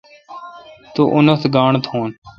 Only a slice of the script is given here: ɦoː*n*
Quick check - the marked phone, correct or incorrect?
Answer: correct